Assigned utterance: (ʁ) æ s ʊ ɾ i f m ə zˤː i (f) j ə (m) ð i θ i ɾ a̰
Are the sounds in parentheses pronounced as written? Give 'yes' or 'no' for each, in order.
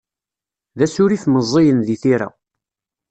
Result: no, no, no

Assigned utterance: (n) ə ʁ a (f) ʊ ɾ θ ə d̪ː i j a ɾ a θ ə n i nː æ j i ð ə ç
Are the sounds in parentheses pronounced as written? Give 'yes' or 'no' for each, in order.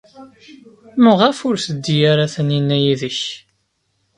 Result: no, yes

